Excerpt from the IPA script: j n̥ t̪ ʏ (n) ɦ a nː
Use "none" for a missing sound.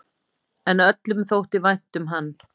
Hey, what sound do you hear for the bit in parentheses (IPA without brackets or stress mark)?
m